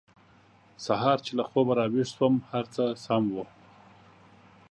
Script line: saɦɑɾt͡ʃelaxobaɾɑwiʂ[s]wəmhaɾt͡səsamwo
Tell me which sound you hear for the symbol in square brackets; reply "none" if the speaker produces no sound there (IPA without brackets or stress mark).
s